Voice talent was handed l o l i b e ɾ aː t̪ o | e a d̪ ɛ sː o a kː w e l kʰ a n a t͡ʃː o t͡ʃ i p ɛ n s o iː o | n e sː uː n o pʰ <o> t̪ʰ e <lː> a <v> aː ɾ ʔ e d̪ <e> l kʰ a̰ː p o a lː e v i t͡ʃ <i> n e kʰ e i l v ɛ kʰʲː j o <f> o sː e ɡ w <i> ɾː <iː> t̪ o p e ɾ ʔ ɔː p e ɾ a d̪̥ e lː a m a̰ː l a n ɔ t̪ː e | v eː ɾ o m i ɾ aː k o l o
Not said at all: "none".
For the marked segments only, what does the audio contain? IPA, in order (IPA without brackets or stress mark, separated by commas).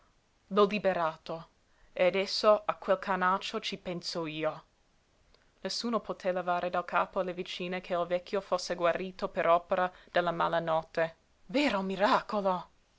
o, l, v, a, iː, f, a, iː